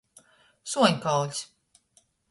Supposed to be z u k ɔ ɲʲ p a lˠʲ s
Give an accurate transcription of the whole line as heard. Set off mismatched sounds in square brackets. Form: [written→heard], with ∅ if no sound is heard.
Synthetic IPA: [z→s] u [k→∅] ɔ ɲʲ [p→k] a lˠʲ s